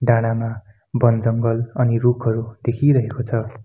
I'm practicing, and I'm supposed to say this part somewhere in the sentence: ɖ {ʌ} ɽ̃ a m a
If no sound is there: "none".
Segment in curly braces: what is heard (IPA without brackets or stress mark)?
a